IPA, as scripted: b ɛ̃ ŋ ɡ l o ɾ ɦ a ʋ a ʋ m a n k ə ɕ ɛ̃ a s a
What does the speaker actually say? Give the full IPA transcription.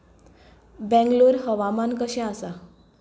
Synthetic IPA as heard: b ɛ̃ ŋ ɡ l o ɾ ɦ ə ʋ a m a n k ə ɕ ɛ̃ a s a